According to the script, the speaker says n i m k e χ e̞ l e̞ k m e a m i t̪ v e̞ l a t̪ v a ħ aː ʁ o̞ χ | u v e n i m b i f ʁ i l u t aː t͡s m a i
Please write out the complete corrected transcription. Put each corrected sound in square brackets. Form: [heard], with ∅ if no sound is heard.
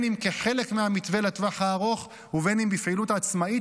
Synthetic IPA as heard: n i m k e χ e̞ l e̞ k m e a m i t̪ v e̞ l a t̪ v a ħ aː ʁ o̞ χ | u v e n i m b i f [ʕ] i l u t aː t͡s m a i